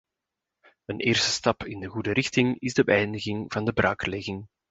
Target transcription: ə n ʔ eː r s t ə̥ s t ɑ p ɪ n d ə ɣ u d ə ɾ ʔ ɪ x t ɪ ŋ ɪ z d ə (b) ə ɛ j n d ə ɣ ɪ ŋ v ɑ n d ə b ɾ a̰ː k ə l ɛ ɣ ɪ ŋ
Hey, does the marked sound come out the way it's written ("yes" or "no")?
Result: yes